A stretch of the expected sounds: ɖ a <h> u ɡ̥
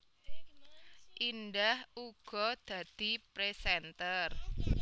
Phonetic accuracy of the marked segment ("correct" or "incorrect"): correct